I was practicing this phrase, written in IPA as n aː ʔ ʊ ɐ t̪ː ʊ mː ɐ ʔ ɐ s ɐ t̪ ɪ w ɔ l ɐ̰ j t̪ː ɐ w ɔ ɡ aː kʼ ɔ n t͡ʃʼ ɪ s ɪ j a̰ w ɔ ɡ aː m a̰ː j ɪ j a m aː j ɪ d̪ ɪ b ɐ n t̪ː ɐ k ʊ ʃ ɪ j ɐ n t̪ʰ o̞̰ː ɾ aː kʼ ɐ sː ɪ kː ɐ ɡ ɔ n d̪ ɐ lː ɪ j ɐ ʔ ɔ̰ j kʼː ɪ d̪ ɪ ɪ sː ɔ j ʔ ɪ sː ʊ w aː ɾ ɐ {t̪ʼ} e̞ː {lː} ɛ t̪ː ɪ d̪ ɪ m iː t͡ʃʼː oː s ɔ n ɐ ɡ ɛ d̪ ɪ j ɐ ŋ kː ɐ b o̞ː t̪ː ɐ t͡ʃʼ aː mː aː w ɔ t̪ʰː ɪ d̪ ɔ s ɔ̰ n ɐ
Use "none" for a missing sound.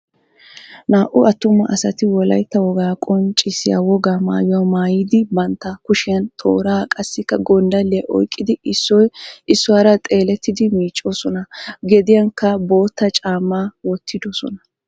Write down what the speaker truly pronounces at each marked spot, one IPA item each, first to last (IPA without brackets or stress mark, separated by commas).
t̪ʼ, l